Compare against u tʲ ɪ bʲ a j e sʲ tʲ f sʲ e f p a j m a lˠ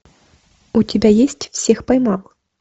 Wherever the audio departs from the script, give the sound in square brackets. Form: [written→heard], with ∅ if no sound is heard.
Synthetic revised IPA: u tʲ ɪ bʲ a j e sʲ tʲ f sʲ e [f→x] p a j m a lˠ

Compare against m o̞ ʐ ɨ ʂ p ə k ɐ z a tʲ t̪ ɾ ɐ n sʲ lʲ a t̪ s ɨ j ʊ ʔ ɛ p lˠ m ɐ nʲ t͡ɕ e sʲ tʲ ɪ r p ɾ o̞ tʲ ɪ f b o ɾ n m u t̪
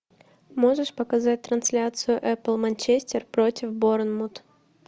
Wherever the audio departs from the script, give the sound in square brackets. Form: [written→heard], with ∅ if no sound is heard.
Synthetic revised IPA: m o̞ ʐ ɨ ʂ p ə k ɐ z a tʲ t̪ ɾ ɐ n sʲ lʲ a t̪ s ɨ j ʊ ʔ ɛ p lˠ m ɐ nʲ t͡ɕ e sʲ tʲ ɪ r p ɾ o̞ tʲ ɪ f b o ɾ n m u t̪

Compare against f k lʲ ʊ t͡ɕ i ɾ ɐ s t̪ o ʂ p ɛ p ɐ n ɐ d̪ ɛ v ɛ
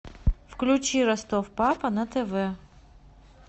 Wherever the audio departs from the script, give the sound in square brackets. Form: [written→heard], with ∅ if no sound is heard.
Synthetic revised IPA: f k lʲ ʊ t͡ɕ i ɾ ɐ s t̪ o [ʂ→f] p [ɛ→a] p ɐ n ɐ [d̪→t̪] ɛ v ɛ

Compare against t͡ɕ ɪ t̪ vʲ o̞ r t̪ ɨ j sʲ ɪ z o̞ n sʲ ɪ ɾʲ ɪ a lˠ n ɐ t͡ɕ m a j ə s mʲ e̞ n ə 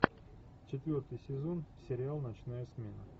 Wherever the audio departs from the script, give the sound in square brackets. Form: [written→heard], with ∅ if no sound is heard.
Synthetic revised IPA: t͡ɕ ɪ t̪ vʲ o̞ r t̪ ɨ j sʲ ɪ z o̞ n sʲ ɪ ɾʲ ɪ a lˠ n ɐ t͡ɕ [m→n] a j ə s mʲ e̞ n ə

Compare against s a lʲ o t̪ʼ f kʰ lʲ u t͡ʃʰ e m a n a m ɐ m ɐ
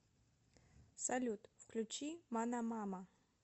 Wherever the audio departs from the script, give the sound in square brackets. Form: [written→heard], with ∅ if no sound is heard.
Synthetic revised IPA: s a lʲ [o→u] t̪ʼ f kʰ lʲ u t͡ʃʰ [e→i] m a n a m [ɐ→a] m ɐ

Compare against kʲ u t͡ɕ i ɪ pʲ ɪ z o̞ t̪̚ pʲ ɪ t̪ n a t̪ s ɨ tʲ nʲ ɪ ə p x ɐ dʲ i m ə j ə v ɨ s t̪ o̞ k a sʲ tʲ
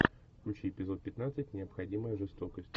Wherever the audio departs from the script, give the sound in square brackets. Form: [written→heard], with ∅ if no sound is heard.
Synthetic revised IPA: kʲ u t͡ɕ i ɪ pʲ ɪ z o̞ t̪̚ pʲ ɪ t̪ n a t̪ s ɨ tʲ nʲ ɪ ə p x ɐ dʲ i m ə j ə [v→ʐ] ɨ s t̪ o̞ k [a→ə] sʲ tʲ

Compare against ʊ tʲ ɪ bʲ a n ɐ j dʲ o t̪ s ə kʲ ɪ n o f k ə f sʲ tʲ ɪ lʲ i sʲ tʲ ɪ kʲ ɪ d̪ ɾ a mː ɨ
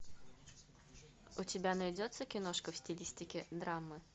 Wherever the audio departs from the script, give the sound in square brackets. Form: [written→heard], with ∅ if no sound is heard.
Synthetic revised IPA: ʊ tʲ ɪ bʲ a n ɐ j dʲ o t̪ s ə kʲ ɪ n o [f→ʂ] k ə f sʲ tʲ ɪ lʲ i sʲ tʲ ɪ kʲ ɪ d̪ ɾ a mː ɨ

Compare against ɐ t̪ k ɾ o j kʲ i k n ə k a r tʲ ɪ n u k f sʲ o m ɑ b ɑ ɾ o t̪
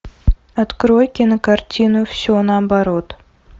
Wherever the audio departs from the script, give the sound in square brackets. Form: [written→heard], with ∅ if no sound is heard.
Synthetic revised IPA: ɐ t̪ k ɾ o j kʲ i [k→∅] n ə k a r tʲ [ɪ→i] n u [k→∅] f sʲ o [m→n] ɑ b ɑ ɾ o t̪

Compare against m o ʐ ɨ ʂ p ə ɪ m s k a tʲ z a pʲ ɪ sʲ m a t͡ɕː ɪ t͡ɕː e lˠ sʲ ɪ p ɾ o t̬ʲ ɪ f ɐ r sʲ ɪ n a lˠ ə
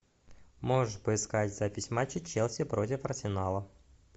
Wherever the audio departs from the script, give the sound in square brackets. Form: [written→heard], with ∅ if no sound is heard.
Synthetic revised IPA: m o ʐ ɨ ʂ p ə ɪ [m→∅] s k a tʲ z a pʲ ɪ sʲ m a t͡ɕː ɪ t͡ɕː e lˠ sʲ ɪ p ɾ o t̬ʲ ɪ f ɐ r sʲ ɪ n a lˠ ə

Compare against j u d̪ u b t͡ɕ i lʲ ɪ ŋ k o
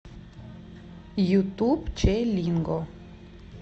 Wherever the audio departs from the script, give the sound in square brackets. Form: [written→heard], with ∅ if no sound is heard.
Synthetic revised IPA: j u [d̪→t̪] u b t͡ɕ [i→e] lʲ [ɪ→i] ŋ [k→ɡ] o

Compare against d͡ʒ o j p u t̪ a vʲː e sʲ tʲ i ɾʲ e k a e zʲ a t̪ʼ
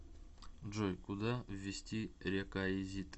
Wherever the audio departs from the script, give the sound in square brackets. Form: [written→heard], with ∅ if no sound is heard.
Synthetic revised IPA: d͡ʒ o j [p→k] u [t̪→d̪] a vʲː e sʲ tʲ i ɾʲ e k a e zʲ [a→i] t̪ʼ

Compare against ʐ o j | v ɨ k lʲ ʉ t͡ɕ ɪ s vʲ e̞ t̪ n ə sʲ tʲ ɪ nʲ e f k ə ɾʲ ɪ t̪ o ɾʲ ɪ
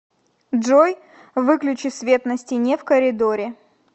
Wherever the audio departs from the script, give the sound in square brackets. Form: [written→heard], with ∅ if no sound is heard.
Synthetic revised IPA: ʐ o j | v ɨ k lʲ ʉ t͡ɕ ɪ s vʲ e̞ t̪ n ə sʲ tʲ ɪ nʲ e f k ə ɾʲ ɪ [t̪→d̪] o ɾʲ ɪ

